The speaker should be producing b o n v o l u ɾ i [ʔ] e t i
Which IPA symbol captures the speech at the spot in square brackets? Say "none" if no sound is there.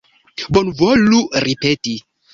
p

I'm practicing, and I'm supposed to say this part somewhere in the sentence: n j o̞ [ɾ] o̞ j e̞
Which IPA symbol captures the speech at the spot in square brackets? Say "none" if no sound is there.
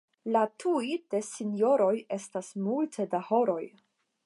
ɾ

